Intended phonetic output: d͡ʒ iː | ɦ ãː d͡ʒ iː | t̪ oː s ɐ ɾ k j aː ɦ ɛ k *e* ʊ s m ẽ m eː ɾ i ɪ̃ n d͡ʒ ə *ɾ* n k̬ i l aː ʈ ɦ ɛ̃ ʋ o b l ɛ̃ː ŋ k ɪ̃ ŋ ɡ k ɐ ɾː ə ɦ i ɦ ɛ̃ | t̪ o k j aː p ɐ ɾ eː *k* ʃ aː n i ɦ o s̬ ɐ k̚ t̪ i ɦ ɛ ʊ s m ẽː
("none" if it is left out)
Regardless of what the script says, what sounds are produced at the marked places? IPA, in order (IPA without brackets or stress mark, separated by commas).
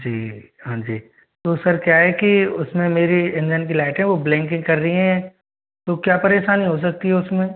i, none, none